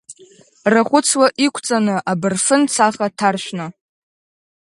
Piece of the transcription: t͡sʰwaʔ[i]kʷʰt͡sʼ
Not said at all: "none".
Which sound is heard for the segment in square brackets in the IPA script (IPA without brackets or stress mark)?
i